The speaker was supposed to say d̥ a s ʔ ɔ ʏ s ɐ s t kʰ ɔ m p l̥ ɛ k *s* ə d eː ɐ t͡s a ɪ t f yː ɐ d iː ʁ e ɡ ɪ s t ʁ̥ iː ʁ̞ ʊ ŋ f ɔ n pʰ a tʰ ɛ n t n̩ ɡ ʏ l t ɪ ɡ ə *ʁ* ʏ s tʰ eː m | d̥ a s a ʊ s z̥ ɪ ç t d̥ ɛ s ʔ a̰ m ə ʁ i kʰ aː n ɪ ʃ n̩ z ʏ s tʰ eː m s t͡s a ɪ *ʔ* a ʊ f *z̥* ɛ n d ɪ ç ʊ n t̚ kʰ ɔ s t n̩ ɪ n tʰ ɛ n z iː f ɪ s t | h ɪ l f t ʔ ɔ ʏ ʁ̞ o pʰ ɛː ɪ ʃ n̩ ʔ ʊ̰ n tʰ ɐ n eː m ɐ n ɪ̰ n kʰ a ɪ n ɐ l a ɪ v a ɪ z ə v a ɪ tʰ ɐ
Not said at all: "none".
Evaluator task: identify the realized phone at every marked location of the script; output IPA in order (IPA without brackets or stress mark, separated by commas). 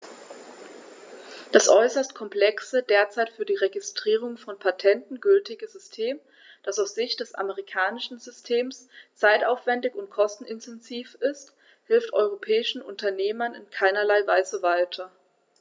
s, z, t, v̥